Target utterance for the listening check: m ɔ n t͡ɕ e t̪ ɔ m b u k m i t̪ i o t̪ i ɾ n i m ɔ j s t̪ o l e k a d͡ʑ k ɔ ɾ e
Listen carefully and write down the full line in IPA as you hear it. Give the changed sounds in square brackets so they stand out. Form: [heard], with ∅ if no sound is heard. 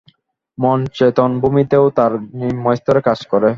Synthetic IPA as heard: m ɔ n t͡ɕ e t̪ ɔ [n] b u [∅] m i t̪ [e] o t̪ [a] ɾ n i m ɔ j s t̪ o [ɾ] e k a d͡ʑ k ɔ ɾ e